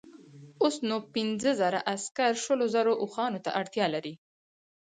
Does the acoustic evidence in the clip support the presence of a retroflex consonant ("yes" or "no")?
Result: yes